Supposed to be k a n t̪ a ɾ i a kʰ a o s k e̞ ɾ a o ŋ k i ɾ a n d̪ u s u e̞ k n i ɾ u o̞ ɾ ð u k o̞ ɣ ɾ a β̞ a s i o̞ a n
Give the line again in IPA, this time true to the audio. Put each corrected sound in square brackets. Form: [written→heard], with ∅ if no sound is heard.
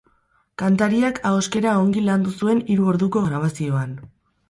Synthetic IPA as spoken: k a n t̪ a ɾ i a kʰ a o s k e̞ ɾ a o ŋ [k→ɡ] i [ɾ→l] a n d̪ u s u e̞ [k→∅] n i ɾ u o̞ ɾ ð u k o̞ ɣ ɾ a β̞ a s i o̞ a n